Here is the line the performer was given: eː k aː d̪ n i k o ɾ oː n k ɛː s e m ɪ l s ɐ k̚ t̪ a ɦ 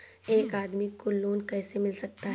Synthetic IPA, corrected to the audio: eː k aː d̪ m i k o l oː n k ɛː s e m ɪ l s ɐ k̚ t̪ a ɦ